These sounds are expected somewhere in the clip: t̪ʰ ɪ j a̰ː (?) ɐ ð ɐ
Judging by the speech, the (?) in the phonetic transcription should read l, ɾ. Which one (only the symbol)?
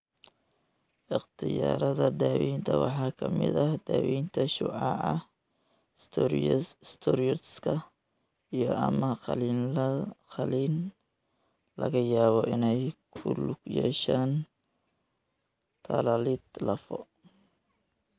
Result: ɾ